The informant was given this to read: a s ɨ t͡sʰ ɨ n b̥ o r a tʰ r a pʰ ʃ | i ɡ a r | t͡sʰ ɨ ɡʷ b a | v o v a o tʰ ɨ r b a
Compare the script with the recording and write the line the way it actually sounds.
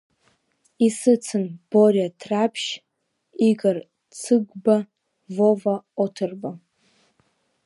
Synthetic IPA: i s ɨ t͡sʰ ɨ n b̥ o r a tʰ r a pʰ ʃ | i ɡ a r | t͡sʰ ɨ ɡʷ b a | v o v a o tʰ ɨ r b a